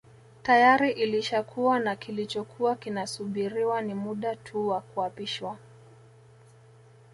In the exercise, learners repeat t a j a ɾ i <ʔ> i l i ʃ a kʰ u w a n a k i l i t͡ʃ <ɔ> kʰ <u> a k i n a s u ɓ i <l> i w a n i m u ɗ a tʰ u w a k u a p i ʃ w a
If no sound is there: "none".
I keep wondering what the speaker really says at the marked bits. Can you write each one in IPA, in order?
ʔ, ɔ, u, ɾ

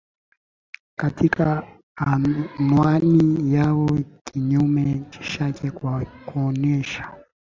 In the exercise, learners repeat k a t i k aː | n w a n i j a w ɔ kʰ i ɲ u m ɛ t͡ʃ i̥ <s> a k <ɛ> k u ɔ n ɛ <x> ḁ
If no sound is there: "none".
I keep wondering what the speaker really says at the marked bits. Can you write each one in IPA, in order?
ʃ, ɛ, ʃ

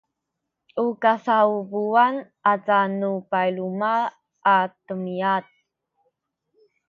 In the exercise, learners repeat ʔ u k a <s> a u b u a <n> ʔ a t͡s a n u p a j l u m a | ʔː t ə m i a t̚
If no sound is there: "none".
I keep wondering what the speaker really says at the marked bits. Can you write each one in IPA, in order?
s, n

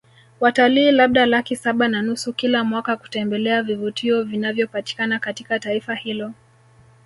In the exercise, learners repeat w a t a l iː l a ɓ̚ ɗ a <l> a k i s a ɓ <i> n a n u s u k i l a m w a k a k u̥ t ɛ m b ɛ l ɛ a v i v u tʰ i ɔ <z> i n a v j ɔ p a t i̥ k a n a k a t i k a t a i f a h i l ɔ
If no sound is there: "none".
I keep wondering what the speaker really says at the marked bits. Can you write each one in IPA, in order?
l, a, v

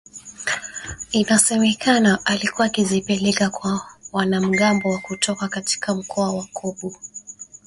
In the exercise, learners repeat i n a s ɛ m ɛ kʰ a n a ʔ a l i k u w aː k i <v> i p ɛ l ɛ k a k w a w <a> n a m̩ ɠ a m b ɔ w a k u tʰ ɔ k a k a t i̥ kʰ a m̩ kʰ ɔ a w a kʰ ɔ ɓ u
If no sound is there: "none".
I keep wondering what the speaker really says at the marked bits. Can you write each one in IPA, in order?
z, a

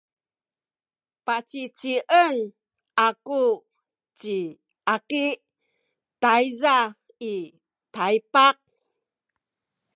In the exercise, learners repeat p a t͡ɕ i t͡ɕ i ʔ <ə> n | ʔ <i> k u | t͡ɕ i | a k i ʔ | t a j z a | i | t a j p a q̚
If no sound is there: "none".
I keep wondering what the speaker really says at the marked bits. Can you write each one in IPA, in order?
ə, a

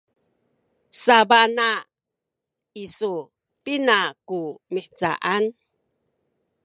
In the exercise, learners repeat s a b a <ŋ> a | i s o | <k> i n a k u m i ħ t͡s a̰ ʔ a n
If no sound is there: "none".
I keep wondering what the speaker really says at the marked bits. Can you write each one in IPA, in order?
n, p

